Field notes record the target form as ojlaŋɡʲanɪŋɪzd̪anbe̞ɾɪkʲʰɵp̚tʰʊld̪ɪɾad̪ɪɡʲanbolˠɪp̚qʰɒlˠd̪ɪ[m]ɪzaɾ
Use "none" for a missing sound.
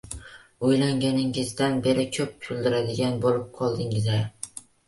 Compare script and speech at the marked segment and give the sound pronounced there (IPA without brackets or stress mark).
ŋ